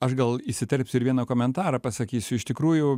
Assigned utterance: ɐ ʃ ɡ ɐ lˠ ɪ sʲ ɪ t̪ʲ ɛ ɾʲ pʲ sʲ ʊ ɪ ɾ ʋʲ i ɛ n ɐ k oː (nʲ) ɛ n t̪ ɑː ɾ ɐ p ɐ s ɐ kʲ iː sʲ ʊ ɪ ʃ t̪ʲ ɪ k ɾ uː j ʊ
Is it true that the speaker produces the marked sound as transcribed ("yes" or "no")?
no